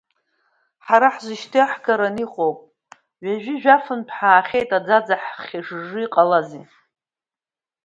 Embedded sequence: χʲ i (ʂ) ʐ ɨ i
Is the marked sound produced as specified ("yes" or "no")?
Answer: yes